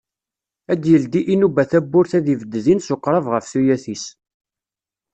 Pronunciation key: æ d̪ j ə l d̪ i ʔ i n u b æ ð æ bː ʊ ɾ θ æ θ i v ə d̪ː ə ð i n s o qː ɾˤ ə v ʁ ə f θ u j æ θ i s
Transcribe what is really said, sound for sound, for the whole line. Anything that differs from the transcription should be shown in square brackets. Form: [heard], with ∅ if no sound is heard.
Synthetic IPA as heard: æ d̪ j ə l d̪ i ʔ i n u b æ [θ] æ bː ʊ ɾ θ æ [ð] i v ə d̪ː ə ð i n s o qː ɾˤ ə v ʁ ə f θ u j æ θ i s